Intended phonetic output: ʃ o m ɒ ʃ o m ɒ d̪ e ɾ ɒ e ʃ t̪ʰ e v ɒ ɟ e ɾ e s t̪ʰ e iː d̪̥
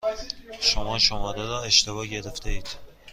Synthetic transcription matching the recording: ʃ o m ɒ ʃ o m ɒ d̪ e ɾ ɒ e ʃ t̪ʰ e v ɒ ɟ e ɾ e f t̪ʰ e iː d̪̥